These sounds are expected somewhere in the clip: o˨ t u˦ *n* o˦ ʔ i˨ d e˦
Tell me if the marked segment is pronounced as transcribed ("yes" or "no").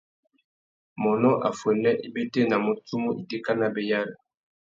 no